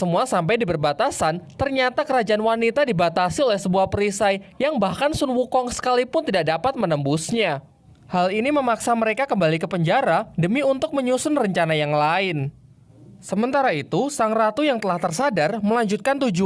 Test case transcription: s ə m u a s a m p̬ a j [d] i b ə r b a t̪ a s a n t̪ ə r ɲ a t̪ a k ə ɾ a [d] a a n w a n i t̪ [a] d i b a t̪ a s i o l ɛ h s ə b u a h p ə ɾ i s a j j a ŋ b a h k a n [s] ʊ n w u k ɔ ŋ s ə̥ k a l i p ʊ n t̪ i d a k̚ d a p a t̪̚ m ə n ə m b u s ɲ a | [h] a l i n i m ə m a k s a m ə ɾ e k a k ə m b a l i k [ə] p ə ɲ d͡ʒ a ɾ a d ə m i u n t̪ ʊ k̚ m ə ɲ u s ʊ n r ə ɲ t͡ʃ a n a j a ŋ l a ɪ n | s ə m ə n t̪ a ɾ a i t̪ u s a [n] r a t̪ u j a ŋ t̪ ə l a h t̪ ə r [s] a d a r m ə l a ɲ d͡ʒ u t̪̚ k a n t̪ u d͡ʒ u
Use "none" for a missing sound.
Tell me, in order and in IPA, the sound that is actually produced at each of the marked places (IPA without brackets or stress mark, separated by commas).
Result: d, d͡ʒ, a, s, h, ə, ŋ, s